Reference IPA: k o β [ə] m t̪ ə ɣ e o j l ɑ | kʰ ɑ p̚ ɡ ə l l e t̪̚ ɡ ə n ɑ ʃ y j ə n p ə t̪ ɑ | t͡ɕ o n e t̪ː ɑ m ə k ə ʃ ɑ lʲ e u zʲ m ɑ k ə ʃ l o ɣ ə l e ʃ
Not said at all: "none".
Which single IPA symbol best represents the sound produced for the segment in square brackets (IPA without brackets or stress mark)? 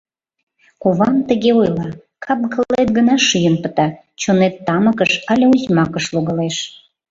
ɑ